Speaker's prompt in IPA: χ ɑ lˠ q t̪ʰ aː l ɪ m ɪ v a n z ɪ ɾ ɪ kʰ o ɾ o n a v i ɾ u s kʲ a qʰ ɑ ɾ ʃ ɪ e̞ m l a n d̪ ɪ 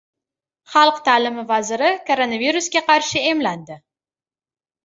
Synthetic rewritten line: χ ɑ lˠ q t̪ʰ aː l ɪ m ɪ v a z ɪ ɾ ɪ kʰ o ɾ o n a v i ɾ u s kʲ a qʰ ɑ ɾ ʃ ɪ e̞ m l a n d̪ ɪ